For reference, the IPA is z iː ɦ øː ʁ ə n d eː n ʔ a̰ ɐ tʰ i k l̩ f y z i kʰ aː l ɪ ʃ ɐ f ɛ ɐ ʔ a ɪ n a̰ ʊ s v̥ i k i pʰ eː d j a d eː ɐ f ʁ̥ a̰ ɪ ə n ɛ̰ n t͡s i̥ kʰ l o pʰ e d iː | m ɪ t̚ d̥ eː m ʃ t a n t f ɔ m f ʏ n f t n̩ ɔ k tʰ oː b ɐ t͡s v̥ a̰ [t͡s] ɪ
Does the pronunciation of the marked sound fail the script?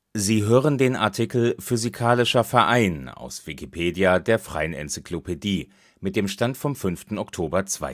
yes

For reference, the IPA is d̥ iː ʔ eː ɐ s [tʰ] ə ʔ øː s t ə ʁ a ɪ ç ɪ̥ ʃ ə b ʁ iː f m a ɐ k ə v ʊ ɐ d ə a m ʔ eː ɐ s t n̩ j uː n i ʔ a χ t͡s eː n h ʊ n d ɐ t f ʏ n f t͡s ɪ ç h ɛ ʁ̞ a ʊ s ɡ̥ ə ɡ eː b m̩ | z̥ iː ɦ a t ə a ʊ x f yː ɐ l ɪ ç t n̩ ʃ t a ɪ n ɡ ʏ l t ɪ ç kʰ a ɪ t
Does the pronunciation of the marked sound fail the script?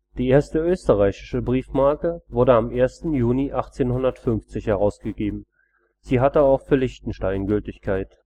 yes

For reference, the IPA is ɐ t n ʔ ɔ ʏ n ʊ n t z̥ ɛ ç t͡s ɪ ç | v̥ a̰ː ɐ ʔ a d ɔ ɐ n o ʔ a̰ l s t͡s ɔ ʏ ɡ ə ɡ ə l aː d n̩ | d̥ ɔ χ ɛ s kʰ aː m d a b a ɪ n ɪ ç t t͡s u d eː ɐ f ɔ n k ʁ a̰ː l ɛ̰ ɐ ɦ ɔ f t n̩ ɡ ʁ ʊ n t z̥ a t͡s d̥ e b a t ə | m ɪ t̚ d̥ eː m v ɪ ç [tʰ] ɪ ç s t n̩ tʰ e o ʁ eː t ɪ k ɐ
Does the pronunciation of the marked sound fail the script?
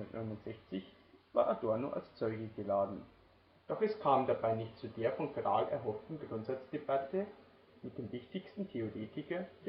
yes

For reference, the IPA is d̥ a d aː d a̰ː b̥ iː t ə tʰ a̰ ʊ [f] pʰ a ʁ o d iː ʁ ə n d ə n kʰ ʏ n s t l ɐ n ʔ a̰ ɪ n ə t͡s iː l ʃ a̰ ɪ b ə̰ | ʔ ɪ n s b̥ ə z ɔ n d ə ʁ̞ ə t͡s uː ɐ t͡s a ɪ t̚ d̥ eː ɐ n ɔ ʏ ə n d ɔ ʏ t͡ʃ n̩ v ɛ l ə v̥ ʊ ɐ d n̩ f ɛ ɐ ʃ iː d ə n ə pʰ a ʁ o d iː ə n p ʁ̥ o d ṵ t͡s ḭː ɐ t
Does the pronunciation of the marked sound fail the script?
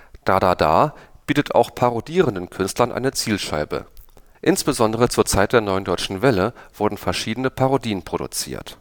yes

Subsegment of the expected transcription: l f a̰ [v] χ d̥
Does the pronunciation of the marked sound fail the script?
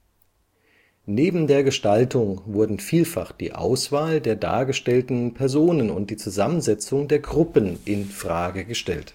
yes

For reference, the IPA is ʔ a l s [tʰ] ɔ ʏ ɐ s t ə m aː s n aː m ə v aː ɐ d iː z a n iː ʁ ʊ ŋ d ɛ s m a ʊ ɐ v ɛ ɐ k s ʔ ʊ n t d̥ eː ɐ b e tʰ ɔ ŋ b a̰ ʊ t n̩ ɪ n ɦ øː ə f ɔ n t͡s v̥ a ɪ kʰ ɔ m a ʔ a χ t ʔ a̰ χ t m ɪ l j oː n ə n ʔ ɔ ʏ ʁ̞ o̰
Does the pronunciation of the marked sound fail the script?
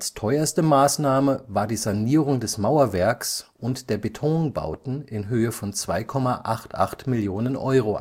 no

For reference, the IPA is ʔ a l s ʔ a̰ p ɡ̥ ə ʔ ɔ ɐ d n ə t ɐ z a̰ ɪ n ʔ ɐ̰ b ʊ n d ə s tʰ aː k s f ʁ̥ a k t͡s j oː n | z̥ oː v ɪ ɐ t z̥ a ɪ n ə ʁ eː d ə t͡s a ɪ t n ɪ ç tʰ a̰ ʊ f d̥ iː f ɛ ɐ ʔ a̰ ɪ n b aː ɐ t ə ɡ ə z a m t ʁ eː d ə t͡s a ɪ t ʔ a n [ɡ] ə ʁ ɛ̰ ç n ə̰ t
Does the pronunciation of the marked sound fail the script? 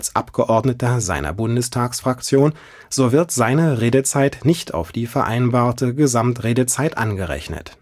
no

